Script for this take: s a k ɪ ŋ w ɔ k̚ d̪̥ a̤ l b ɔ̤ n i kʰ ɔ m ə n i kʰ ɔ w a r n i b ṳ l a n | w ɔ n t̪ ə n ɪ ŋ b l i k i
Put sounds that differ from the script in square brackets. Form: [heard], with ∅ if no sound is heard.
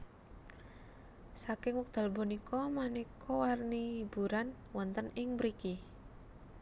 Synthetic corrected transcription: s a k ɪ ŋ w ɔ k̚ d̪̥ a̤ l b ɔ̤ n i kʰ ɔ m [a] n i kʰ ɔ w a r n i b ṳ [ɾ] a n | w ɔ n t̪ ə n ɪ ŋ b [ɾ] i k i